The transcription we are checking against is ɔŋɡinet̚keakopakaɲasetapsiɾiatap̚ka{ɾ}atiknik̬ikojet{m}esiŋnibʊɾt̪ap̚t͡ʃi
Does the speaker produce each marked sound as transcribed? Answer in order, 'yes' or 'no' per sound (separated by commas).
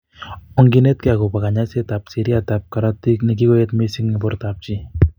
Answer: yes, yes